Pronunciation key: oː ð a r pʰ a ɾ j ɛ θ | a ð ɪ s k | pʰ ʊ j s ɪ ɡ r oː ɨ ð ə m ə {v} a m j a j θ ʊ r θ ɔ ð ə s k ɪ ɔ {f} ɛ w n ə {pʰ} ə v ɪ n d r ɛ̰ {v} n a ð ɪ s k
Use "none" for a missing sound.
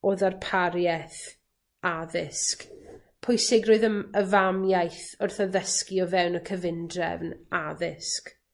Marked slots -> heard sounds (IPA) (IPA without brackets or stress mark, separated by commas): v, v, kʰ, v